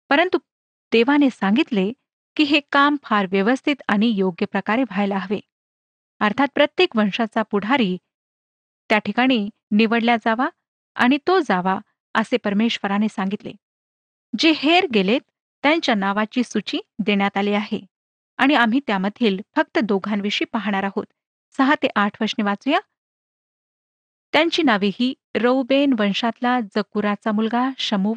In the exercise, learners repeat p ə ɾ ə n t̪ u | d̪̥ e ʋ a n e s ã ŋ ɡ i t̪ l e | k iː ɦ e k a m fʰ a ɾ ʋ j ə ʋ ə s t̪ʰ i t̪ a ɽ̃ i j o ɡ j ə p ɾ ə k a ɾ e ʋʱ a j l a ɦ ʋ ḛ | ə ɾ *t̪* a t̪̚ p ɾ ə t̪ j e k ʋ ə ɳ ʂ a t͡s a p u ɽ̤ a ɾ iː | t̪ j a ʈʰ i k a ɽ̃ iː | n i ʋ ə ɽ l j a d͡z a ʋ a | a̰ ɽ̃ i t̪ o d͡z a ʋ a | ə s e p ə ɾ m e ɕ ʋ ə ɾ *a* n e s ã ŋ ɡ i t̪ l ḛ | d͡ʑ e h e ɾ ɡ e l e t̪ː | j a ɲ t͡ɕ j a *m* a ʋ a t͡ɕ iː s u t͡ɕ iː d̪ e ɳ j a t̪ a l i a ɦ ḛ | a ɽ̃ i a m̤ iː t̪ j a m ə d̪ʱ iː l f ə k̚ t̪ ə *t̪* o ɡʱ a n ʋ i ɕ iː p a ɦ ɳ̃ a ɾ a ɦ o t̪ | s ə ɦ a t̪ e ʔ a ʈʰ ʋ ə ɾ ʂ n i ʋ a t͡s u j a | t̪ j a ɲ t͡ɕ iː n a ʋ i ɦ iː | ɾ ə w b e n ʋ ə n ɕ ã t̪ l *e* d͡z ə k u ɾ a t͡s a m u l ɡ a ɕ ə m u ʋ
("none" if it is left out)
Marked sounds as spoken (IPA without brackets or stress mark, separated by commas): t̪ʰ, a, n, d̪, a